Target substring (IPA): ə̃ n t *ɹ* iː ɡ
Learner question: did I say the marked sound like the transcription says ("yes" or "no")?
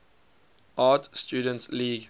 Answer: no